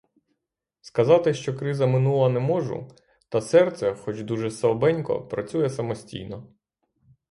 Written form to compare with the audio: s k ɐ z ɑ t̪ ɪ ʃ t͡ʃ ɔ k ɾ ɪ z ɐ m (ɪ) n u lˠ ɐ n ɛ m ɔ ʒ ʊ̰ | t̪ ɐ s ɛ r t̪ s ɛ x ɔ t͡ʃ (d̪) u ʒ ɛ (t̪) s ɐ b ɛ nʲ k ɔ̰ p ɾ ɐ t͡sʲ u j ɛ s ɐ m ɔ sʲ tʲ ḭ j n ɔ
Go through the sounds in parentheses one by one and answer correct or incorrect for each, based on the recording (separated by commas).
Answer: correct, correct, incorrect